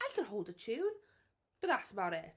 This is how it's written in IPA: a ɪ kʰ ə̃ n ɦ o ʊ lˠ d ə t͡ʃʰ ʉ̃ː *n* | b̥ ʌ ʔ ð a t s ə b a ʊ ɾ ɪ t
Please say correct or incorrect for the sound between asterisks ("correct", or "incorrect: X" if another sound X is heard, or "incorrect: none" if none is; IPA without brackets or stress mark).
correct